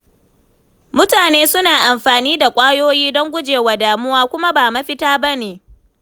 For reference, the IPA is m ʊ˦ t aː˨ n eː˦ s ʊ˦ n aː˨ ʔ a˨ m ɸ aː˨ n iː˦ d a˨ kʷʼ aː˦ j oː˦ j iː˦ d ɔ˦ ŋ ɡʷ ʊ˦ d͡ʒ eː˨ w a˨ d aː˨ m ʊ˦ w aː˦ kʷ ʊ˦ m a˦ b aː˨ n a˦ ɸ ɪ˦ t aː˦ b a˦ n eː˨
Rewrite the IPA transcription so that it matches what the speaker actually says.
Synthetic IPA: m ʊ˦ t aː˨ n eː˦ s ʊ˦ n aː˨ ʔ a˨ m ɸ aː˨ n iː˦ d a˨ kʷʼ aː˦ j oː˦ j iː˦ d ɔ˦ ŋ ɡʷ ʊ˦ d͡ʒ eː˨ w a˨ d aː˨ m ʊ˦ w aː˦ kʷ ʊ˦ m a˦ b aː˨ m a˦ ɸ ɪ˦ t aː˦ b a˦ n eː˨